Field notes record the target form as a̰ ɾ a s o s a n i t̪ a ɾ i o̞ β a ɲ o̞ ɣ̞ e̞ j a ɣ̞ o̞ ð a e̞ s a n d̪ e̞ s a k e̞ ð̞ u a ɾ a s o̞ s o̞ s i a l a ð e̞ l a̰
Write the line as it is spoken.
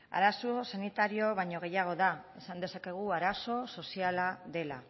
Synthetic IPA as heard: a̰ ɾ a s o s a n i t̪ a ɾ i o̞ β a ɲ o̞ ɣ̞ e̞ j a ɣ̞ o̞ ð a e̞ s a n d̪ e̞ s a k e̞ ɣ̞ u a ɾ a s o̞ s o̞ s i a l a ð e̞ l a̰